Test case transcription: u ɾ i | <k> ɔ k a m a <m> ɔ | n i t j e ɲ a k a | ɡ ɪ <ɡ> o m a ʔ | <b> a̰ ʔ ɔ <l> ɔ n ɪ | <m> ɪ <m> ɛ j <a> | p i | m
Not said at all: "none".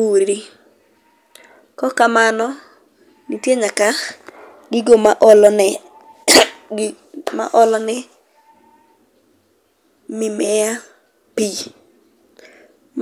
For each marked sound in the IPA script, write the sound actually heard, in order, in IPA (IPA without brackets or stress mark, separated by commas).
k, n, ɡ, m, l, m, m, a